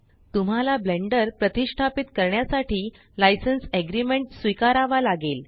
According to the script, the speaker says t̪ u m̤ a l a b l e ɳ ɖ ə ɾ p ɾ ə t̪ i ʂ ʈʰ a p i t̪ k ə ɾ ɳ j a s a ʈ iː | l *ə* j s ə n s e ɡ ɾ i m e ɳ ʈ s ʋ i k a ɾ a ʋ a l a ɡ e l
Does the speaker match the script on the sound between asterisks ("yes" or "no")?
no